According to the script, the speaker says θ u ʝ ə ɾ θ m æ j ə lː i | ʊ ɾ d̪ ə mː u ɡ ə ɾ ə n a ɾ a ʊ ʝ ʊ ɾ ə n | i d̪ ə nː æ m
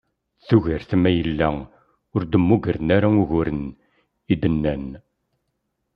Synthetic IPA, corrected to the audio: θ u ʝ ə ɾ θ m æ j ə lː æ | ʊ ɾ d̪ ə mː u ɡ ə ɾ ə n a ɾ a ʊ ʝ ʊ ɾ ə n | i d̪ ə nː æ n